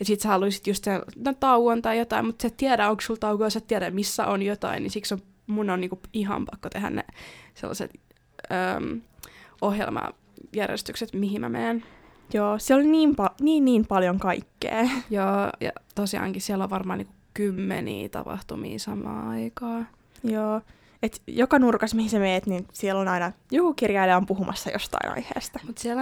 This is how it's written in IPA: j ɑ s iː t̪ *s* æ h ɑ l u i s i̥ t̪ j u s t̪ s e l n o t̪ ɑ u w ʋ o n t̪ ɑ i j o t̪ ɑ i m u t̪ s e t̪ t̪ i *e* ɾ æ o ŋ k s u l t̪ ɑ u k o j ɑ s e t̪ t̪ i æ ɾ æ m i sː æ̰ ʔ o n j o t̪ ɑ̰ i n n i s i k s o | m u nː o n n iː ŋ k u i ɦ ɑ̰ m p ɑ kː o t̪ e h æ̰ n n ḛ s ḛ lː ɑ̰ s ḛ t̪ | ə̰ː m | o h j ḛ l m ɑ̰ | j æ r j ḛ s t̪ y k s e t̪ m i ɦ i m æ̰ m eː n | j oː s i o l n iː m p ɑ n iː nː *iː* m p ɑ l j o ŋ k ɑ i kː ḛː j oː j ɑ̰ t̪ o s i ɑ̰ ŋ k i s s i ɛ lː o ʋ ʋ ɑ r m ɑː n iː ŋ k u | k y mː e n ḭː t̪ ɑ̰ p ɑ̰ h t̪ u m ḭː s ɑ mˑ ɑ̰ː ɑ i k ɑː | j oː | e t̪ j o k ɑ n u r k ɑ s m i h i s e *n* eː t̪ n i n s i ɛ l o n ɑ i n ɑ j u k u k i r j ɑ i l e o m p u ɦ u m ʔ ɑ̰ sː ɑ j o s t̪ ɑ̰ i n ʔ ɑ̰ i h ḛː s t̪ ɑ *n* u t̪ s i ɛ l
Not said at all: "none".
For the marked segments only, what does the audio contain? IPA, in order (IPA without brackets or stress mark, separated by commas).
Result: s, æ, iː, m, m